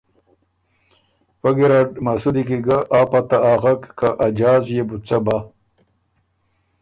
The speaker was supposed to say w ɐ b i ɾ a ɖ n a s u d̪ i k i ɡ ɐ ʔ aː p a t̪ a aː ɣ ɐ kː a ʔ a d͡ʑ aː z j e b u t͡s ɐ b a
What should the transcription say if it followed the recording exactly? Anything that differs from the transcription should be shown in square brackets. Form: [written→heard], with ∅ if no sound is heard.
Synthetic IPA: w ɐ [b→ɡ] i ɾ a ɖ [n→m] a s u d̪ i k i ɡ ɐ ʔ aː p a t̪ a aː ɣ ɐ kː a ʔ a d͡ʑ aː z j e b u t͡s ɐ b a